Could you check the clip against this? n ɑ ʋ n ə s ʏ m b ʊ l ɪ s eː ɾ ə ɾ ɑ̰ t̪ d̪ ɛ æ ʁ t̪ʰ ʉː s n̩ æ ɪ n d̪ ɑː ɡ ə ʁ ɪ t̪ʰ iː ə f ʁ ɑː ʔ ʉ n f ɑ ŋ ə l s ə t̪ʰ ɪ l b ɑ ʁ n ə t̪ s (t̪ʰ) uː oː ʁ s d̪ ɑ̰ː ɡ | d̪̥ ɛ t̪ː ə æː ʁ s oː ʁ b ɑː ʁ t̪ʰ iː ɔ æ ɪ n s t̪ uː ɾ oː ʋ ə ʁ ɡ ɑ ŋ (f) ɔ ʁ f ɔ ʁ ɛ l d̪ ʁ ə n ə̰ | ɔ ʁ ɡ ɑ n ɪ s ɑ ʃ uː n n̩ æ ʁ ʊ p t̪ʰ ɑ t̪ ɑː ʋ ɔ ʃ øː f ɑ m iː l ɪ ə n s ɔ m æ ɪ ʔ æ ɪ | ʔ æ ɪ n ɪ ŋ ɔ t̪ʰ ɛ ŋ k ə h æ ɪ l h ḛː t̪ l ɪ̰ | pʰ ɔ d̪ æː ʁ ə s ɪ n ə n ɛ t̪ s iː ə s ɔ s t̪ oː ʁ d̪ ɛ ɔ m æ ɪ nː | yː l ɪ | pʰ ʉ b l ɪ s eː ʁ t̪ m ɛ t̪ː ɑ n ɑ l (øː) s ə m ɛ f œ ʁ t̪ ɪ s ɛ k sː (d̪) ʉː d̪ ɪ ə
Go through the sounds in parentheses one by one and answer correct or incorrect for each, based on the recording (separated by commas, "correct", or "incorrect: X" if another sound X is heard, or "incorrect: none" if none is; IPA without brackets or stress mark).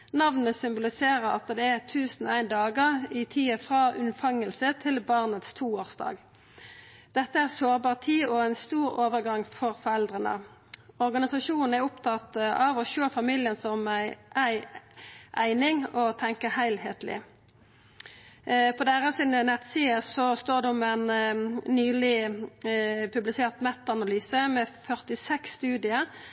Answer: correct, correct, incorrect: yː, incorrect: t̪